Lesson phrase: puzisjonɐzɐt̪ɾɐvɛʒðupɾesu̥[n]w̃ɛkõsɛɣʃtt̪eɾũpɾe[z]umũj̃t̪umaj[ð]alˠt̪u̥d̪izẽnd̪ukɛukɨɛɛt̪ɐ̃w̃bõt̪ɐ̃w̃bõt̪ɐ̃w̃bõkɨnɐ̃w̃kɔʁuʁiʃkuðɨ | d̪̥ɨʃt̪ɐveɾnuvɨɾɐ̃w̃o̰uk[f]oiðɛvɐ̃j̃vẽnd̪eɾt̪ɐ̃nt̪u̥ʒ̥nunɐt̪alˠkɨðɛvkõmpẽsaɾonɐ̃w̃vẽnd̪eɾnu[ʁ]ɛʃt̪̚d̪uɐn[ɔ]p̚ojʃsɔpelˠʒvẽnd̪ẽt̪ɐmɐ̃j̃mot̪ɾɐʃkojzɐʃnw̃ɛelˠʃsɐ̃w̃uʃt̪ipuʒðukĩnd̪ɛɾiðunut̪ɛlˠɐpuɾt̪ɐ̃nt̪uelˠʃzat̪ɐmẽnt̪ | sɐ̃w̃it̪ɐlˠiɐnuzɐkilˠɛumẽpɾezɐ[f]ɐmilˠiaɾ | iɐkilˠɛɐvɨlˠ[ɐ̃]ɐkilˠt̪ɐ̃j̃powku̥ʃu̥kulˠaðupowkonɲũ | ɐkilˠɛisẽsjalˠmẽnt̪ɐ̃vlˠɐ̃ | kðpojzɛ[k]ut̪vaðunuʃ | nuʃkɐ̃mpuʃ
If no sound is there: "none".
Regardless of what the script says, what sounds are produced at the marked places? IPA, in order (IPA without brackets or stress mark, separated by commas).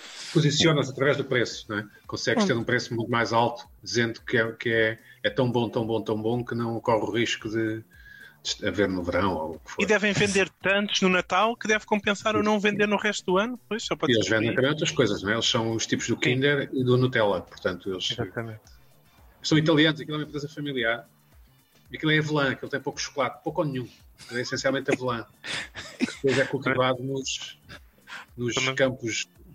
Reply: n, s, z, f, ʁ, u, f, ɐ̃, k